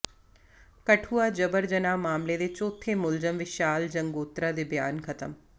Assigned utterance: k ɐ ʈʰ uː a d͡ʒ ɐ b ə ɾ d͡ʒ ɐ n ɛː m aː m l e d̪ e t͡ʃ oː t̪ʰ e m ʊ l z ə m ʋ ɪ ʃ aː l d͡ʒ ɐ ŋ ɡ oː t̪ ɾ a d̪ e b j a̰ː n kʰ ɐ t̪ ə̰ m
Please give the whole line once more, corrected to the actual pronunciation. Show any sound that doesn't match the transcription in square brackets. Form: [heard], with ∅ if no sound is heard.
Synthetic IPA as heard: k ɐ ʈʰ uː a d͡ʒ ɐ b ə ɾ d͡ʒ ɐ n [aː] m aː m l e d̪ e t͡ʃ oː t̪ʰ e m ʊ l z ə m ʋ ɪ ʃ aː l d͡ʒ ɐ ŋ ɡ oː t̪ ɾ a d̪ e b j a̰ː n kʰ ɐ t̪ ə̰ m